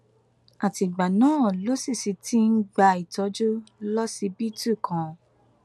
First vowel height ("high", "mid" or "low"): low